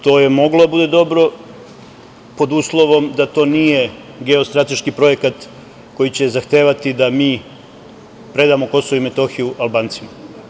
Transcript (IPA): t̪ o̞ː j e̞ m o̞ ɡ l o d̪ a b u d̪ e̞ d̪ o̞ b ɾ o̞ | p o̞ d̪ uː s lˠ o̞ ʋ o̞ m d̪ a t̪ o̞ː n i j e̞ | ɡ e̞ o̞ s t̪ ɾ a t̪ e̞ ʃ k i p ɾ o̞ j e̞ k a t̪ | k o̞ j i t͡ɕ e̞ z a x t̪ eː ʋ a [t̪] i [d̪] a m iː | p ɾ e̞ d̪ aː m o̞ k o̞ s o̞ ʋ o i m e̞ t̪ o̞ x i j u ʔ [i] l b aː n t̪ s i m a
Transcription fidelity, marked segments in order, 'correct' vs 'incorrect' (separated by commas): correct, correct, incorrect